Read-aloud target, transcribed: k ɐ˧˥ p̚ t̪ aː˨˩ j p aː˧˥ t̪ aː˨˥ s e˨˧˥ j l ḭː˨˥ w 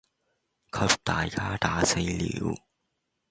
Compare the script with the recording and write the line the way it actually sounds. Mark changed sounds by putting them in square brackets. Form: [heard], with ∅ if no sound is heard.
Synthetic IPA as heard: [kʰ] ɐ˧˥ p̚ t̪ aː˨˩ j [k] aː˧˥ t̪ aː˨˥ s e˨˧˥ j l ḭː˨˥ w